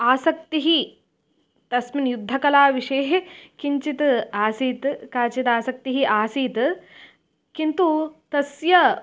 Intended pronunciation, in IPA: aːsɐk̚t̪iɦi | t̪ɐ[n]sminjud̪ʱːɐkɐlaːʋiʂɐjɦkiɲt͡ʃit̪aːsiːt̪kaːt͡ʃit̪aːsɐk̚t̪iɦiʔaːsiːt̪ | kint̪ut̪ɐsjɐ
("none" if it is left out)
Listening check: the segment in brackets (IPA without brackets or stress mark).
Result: none